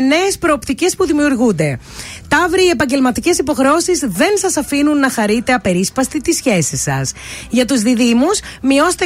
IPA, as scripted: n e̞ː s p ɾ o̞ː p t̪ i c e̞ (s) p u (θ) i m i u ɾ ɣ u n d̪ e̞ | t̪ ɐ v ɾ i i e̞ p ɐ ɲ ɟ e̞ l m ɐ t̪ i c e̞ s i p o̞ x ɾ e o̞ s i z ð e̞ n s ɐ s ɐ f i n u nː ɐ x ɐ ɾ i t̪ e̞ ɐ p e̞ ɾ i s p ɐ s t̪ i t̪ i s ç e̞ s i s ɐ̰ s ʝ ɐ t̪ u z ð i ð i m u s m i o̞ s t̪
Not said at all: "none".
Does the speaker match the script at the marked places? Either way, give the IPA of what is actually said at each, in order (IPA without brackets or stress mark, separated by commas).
s, ð